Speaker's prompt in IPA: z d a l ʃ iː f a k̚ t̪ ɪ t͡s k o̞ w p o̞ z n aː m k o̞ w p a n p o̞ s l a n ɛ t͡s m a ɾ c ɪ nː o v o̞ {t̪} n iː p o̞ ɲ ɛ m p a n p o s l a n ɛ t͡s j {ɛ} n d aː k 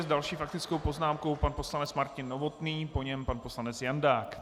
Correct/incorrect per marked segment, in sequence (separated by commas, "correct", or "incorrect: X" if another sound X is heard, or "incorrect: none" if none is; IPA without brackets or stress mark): correct, incorrect: a